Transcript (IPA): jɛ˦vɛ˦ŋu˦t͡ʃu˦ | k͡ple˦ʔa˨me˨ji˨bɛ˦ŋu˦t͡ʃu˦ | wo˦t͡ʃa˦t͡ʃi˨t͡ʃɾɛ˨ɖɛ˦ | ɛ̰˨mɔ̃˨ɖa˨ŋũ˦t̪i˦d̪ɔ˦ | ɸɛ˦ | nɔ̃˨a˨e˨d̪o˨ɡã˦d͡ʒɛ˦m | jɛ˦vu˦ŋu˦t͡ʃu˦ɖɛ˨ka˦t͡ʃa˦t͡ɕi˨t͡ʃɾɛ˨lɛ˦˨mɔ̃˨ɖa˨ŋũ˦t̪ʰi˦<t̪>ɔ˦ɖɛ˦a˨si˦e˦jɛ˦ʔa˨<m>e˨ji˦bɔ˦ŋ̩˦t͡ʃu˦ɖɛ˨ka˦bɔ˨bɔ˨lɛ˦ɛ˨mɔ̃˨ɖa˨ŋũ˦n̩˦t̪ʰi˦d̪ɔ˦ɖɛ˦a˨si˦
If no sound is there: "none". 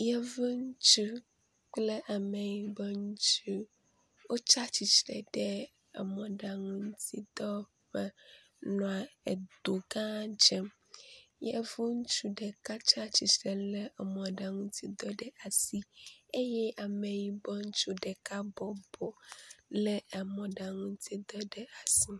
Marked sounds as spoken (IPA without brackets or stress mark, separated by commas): d̪, m